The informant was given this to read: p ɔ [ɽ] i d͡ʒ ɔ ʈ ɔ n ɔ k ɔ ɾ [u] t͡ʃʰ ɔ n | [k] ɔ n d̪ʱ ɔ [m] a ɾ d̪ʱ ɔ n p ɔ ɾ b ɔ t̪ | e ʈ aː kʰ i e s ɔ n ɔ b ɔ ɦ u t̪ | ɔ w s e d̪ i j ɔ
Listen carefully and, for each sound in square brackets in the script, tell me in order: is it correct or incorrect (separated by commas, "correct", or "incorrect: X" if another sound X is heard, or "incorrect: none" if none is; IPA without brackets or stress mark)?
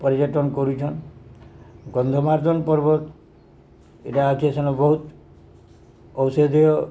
incorrect: ɾ, correct, incorrect: ɡ, correct